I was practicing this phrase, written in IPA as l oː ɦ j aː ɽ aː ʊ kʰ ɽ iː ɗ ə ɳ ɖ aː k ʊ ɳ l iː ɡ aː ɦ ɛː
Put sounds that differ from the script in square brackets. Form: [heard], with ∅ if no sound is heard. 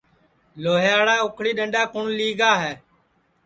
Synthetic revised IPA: l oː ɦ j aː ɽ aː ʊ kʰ ɽ iː ɗ ə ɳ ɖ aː k ʊ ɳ l iː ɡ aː ɦ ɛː